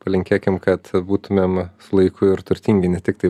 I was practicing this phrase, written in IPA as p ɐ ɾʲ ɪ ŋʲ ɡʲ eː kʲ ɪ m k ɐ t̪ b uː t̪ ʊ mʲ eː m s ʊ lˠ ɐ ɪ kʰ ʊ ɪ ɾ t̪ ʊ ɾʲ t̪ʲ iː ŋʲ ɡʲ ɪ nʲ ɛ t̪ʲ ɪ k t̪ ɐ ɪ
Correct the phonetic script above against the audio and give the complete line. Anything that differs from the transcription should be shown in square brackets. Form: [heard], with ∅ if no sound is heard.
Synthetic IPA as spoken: p ɐ [lʲ] ɪ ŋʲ [kʲ] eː kʲ ɪ m k ɐ t̪ b uː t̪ ʊ mʲ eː m s ʊ lˠ ɐ ɪ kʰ ʊ ɪ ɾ t̪ ʊ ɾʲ t̪ʲ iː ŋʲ ɡʲ ɪ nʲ ɛ t̪ʲ ɪ k t̪ ɐ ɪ